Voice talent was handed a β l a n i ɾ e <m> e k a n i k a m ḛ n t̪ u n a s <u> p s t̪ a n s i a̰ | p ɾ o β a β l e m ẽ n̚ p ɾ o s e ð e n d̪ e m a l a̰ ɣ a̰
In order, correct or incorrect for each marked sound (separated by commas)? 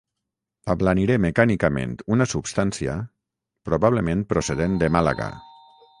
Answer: correct, correct